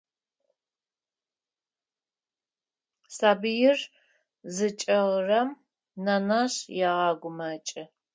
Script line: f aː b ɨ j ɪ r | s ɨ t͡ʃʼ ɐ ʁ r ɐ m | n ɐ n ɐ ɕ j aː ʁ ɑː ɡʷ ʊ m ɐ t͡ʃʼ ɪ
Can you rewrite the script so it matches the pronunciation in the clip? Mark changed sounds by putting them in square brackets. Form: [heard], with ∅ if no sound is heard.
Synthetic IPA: [s] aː b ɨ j ɪ r | [z] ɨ t͡ʃʼ ɐ ʁ r ɐ m | n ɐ n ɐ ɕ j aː ʁ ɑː ɡʷ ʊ m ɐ t͡ʃʼ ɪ